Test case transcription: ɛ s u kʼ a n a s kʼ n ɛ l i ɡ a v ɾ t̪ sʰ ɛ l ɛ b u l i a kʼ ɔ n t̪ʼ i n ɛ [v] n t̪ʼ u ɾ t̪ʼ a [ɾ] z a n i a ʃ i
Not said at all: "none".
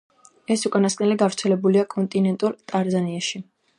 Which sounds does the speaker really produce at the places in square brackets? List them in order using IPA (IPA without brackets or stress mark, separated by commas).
none, ɾ